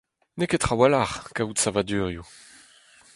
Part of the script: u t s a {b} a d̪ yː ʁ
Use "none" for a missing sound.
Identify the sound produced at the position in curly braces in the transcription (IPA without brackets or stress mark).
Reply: v